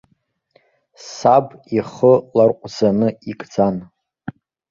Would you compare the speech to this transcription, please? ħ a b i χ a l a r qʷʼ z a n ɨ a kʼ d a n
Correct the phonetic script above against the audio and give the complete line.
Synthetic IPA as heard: s a b i χ ə l a r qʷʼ z a n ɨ i kʼ d͡z a n